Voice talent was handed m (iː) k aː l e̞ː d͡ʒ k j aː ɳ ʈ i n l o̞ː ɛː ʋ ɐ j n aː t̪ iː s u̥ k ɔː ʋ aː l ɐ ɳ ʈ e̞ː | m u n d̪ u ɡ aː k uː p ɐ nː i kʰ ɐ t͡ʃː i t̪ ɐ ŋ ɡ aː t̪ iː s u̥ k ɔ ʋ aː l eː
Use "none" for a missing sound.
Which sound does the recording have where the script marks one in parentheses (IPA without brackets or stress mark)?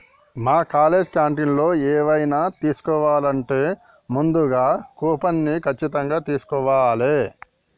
aː